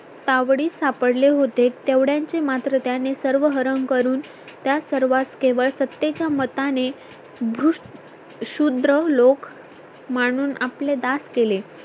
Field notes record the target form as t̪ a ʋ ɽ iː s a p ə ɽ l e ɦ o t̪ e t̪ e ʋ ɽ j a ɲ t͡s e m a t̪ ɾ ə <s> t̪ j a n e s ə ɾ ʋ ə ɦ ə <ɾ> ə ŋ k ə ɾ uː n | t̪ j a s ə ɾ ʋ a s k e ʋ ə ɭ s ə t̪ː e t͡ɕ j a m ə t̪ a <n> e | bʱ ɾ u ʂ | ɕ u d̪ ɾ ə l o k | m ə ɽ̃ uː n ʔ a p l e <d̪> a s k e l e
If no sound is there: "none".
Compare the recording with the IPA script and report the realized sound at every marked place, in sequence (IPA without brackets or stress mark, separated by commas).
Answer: none, ɾ, n, d̪